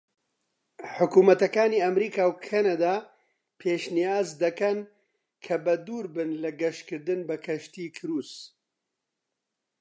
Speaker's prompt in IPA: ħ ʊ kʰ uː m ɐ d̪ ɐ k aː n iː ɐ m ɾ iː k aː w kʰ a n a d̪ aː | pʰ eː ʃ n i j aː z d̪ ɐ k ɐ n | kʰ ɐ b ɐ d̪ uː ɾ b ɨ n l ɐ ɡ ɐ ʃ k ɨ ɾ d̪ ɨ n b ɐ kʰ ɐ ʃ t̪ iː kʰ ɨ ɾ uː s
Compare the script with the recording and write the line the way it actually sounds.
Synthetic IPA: ħ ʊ k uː m ɐ t̪ ɐ k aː n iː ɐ m ɾ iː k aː w kʰ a n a d̪ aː | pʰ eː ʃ n i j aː z d̪ ɐ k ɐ n | kʰ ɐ b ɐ d̪ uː ɾ b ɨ n l ɐ ɡ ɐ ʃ k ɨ ɾ d̪ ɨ n b ɐ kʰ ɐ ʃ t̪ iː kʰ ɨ ɾ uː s